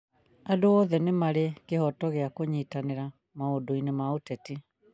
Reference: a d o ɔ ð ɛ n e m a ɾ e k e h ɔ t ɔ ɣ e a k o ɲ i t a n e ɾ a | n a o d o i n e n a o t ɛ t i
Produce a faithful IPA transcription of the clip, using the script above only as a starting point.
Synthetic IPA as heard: a d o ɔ ð ɛ n e m a ɾ e k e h ɔ t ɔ ɣ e a k o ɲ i t a n e ɾ a | m a o d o i n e m a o t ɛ t i